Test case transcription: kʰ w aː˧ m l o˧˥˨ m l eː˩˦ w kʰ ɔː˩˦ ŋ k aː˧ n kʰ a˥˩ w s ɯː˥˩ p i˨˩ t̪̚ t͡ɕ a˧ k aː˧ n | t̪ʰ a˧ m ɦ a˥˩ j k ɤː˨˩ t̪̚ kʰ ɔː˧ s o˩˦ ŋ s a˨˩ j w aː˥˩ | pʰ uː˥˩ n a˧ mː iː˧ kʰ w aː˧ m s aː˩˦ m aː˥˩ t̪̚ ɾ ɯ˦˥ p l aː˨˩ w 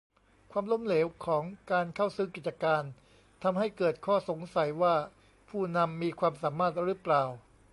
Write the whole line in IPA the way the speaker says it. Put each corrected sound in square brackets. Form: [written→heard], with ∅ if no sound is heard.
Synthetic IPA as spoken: kʰ w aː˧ m l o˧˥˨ m l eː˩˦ w kʰ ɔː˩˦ ŋ k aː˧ n kʰ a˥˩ w s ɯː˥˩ [p→k] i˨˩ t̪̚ t͡ɕ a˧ k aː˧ n | t̪ʰ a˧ m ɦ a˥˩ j k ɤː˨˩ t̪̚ kʰ [ɔː˧→ɔː˥˩] s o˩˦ ŋ s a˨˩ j w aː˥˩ | pʰ uː˥˩ n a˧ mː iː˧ kʰ w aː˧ m s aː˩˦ m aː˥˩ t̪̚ ɾ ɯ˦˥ p l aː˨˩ w